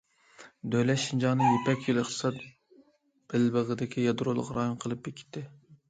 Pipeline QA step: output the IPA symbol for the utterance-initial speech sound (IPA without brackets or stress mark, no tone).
d̪